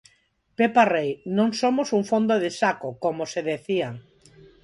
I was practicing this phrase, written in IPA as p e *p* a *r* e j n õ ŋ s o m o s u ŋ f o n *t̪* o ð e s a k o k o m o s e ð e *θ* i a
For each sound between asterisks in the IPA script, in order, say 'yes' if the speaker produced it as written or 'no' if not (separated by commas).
yes, yes, no, yes